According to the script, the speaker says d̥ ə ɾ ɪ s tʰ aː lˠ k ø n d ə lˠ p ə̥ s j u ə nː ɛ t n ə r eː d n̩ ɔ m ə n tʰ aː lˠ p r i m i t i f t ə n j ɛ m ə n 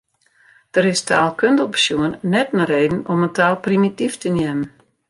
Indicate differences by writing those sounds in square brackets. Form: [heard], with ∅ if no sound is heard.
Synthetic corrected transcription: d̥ ə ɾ ɪ s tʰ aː lˠ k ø n d ə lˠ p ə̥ s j u ə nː ɛ t n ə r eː d n̩ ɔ m ə n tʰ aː lˠ p r i m i t i f t ə n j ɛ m ə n

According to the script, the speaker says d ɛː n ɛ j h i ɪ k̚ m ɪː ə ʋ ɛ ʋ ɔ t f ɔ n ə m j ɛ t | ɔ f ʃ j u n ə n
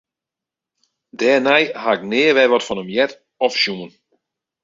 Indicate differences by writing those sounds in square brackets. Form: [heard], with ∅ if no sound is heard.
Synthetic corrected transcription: d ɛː n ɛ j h [a] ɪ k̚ [n] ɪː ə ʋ ɛ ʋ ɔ t f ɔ n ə m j ɛ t | ɔ f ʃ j u [m] ə n

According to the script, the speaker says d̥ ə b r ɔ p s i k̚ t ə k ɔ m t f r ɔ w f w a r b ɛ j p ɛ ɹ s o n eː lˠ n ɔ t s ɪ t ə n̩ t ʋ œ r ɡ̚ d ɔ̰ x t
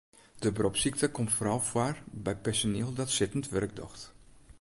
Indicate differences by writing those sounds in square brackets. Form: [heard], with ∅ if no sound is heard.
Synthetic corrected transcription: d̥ ə b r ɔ p s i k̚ t ə k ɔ m t f r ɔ w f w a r b ɛ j p ɛ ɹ s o n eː lˠ [d] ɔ t s ɪ t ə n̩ t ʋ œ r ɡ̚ d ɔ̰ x t

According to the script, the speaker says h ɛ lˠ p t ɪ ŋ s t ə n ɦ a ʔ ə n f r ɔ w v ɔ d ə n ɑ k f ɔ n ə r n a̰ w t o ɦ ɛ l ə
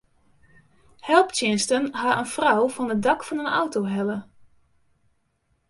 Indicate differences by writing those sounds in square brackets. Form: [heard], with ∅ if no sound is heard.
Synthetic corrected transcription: h ɛ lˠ p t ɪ [n] s t ə n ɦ a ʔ ə n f r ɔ w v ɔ [n] ə [d] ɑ k f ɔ n ə [∅] n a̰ w t o ɦ ɛ l ə

